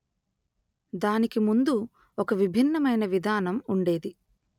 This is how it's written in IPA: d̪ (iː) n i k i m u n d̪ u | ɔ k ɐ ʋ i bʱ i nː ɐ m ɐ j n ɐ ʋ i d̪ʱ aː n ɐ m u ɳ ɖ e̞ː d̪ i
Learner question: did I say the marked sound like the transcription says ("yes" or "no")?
no